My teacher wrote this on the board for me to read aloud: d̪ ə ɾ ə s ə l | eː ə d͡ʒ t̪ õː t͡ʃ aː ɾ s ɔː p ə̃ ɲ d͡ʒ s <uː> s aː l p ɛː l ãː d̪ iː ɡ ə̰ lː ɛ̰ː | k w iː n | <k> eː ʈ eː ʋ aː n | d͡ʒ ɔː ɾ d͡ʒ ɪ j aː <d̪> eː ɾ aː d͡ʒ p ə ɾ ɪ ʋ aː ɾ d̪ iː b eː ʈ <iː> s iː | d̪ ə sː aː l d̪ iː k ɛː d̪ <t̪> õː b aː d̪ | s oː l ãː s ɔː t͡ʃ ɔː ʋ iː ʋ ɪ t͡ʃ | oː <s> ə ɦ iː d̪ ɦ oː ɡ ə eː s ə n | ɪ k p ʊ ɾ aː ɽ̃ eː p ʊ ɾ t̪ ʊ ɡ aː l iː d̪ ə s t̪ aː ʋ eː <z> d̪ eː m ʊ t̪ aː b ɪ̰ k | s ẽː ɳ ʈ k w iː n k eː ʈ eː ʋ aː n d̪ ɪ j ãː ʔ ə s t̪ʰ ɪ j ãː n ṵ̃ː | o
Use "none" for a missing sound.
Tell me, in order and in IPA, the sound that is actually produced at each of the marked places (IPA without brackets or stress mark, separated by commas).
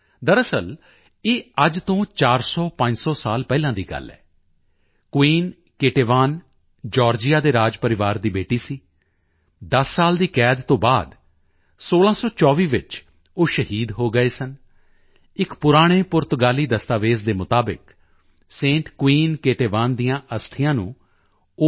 ɔː, k, d̪, iː, t̪, ʃ, z